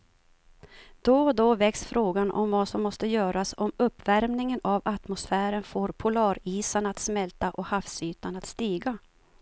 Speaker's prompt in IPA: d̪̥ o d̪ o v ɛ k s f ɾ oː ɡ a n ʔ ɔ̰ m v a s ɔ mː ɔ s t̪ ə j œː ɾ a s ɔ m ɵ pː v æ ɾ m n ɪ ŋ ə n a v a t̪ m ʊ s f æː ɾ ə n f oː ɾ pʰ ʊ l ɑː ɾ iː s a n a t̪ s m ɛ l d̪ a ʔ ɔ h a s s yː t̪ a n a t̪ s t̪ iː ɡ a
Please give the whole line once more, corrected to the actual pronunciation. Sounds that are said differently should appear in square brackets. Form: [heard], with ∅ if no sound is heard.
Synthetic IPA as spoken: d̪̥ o d̪ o v ɛ k s f ɾ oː ɡ a n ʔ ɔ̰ m v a s ɔ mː ɔ s t̪ ə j œː ɾ a s ɔ m ɵ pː v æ ɾ m n ɪ ŋ ə n a v a t̪ m ʊ s f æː ɾ ə n f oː ɾ pʰ ʊ l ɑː ɾ iː s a n a t̪ s m ɛ l [t̪] a ʔ ɔ h a [f] s yː t̪ a n a t̪ s t̪ iː ɡ a